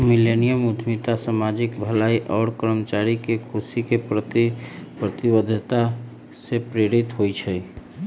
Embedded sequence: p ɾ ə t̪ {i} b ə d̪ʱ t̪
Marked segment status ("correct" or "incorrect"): correct